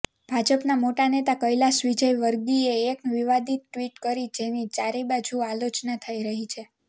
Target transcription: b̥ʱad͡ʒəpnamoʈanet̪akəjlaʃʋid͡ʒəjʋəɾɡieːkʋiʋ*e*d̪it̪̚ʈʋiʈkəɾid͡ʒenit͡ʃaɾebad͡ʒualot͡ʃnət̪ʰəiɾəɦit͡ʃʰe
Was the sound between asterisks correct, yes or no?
no